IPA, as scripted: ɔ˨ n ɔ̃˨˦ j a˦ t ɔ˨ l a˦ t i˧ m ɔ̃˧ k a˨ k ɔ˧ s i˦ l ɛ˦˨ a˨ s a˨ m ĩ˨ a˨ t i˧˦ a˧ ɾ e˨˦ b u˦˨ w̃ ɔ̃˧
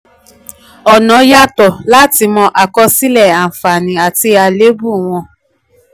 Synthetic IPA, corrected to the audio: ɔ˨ n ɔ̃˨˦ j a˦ t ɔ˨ l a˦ t i˧ m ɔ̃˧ ʔ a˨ k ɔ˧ s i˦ l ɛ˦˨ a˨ f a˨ n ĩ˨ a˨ t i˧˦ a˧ l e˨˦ b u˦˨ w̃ ɔ̃˧